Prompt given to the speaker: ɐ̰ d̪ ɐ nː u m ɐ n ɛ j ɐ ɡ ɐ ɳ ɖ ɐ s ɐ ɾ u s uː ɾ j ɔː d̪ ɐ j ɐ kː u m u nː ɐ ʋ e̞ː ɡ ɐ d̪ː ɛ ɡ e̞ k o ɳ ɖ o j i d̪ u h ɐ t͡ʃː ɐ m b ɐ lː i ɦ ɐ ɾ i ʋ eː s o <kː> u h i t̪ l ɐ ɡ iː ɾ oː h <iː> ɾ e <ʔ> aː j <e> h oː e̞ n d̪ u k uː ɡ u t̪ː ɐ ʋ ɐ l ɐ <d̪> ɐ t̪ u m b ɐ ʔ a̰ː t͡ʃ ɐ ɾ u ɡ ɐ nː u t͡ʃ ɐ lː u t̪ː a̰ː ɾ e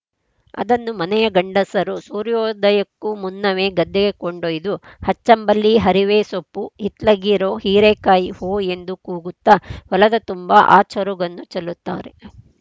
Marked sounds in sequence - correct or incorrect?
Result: incorrect: pː, correct, incorrect: k, incorrect: i, correct

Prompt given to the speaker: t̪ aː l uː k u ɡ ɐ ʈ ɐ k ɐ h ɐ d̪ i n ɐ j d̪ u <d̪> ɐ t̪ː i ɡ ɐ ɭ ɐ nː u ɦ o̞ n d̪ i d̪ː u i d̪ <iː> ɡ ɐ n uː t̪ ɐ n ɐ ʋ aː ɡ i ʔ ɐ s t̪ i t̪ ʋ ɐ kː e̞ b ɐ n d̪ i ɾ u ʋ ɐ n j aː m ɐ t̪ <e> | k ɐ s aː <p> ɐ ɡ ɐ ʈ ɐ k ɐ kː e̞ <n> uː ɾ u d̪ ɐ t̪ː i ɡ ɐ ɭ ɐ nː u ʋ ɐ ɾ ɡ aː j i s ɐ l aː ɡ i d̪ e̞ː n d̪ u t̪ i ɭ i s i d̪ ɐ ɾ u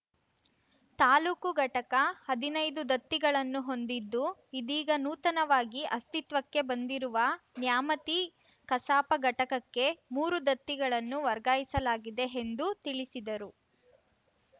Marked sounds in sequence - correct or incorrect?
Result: correct, correct, incorrect: i, correct, incorrect: m

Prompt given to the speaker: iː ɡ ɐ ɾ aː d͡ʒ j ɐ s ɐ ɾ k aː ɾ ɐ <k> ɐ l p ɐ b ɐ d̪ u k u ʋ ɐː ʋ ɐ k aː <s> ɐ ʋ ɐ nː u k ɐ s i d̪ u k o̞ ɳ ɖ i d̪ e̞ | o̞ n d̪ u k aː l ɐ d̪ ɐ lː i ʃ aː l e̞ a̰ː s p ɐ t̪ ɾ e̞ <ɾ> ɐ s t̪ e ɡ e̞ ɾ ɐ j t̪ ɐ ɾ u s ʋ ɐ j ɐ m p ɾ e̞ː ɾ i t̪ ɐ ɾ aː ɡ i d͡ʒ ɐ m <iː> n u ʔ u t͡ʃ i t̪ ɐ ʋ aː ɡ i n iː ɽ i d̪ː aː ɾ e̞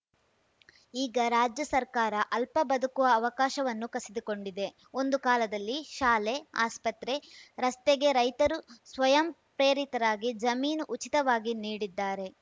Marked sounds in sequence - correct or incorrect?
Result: incorrect: ʔ, incorrect: ʃ, correct, correct

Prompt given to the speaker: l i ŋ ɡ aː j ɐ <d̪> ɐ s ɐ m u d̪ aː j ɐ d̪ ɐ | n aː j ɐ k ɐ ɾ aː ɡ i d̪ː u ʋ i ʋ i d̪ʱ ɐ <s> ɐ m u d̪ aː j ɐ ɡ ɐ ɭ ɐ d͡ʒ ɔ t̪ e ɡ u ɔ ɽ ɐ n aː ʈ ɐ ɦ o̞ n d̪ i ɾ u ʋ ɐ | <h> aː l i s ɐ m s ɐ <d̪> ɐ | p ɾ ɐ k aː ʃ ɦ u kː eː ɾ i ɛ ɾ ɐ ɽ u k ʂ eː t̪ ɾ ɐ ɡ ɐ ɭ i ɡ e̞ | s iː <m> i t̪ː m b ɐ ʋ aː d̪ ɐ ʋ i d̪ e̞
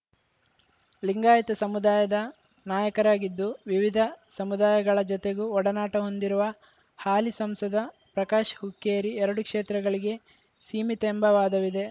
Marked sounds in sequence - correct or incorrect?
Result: incorrect: t̪, correct, correct, correct, correct

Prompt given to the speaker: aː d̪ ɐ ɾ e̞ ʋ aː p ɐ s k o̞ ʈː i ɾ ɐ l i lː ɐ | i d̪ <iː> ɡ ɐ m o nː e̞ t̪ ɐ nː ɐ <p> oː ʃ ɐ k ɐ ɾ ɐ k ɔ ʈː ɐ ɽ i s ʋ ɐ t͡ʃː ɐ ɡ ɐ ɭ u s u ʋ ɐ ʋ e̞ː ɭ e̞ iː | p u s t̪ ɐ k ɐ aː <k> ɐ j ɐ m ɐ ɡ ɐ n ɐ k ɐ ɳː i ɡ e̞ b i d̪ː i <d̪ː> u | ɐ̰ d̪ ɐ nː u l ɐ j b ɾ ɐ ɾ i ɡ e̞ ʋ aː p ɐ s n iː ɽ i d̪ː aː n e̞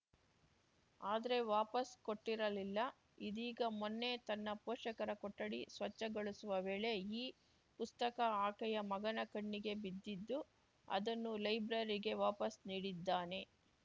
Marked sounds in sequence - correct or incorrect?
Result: correct, correct, correct, correct

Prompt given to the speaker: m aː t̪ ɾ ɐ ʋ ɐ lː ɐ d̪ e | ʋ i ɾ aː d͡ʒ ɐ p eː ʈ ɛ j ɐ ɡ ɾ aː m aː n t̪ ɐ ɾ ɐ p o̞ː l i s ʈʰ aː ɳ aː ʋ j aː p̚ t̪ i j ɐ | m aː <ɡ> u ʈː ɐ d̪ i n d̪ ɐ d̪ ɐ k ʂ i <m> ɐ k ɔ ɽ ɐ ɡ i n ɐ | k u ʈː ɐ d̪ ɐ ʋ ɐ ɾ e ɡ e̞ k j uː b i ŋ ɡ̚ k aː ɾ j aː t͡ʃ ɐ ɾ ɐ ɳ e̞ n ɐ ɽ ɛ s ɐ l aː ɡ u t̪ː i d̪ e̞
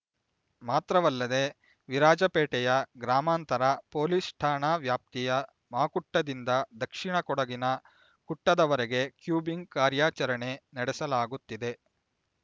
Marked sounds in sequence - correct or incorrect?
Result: incorrect: k, incorrect: ɳ

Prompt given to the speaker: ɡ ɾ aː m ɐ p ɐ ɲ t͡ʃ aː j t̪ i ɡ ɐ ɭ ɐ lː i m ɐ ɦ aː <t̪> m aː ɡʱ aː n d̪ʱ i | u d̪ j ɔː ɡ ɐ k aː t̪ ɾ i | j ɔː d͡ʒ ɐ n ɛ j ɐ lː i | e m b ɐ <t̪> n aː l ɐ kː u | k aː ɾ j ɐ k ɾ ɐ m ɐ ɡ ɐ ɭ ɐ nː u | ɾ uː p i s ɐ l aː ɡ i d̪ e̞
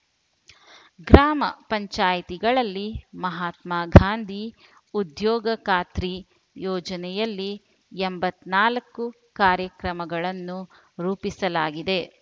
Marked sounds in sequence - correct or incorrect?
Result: correct, correct

